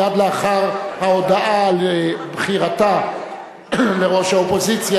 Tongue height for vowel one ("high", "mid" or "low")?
low